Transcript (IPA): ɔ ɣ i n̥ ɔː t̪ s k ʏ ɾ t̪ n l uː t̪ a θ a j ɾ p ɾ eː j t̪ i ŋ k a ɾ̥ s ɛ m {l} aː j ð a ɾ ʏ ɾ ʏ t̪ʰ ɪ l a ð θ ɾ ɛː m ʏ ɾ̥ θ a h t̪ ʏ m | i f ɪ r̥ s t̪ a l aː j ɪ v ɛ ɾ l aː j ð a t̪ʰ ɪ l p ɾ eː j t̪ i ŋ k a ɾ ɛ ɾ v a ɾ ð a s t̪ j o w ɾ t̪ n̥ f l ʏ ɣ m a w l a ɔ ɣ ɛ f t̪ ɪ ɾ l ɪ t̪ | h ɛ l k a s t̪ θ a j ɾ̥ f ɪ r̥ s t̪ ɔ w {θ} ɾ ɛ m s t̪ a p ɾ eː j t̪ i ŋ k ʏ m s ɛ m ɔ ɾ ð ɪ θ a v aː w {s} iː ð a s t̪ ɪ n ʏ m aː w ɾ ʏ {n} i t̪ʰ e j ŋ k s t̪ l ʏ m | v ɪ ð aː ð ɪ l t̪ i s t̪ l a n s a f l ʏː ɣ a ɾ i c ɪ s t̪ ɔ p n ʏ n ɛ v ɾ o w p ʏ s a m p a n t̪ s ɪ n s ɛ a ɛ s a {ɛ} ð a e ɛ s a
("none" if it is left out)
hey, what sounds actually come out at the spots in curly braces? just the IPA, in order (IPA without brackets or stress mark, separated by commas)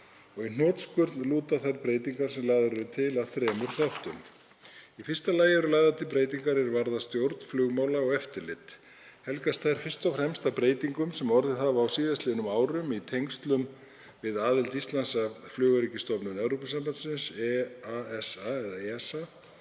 l, f, s, m, ɛ